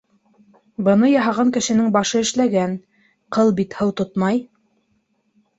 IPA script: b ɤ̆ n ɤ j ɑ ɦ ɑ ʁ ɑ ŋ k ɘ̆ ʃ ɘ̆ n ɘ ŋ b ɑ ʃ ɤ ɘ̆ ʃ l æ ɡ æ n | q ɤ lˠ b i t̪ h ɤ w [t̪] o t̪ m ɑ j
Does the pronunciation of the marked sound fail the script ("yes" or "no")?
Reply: no